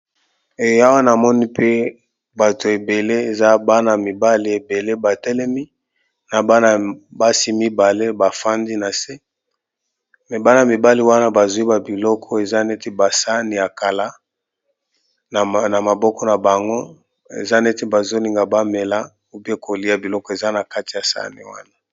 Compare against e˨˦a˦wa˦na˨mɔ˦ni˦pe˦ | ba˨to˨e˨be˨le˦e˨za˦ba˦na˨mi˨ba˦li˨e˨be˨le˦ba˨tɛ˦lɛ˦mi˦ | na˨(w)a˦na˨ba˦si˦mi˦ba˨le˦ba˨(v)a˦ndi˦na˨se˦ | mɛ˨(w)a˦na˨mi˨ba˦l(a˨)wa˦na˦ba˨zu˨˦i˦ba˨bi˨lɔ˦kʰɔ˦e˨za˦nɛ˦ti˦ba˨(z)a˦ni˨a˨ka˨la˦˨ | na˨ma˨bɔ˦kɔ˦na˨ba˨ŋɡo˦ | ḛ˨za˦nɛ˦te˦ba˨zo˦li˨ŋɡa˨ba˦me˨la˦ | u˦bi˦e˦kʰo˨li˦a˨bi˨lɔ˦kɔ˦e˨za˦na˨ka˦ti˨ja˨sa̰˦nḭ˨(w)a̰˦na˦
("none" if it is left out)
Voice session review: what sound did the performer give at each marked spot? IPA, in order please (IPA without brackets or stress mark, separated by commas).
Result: b, f, b, i˨, s, w